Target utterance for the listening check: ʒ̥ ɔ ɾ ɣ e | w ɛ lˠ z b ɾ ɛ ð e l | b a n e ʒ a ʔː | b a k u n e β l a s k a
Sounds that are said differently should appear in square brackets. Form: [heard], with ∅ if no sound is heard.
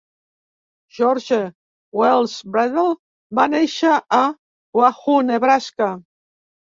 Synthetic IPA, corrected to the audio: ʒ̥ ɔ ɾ [ʒ] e | w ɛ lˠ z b ɾ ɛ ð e l | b a n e [ʃ] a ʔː | [w] a [x] u n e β [ɾ] a s k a